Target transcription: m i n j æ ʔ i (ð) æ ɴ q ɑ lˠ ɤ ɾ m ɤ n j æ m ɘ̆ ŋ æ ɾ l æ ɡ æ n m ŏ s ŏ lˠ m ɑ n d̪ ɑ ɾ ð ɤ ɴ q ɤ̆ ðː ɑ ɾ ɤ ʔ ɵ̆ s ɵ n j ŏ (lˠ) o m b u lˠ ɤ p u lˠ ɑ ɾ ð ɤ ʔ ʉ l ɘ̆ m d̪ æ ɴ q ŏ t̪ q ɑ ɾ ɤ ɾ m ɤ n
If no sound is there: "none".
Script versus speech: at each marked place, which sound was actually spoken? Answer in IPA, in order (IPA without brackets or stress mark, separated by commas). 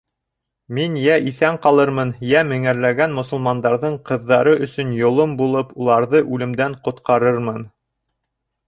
θ, lˠ